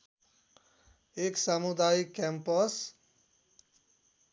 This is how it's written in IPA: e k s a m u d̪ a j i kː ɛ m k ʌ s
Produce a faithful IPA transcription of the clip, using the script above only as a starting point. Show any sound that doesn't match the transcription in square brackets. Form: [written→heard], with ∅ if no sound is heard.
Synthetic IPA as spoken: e k s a m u d̪ a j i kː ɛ m [k→p] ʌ s